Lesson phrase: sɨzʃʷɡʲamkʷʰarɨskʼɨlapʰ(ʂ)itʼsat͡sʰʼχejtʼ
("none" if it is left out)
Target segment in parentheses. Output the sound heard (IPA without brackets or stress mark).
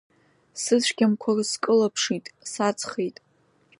ʂ